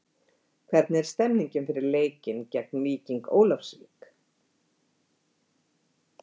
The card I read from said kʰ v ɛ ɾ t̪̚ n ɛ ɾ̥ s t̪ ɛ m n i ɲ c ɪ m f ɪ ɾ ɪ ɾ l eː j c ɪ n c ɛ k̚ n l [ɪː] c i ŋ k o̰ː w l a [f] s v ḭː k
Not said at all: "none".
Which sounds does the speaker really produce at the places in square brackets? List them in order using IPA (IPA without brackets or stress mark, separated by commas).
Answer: iː, f